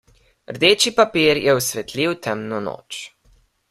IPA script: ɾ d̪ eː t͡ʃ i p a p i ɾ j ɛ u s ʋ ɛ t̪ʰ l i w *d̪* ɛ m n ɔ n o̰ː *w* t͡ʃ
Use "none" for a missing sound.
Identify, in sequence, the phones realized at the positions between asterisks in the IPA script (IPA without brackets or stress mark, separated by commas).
t̪, none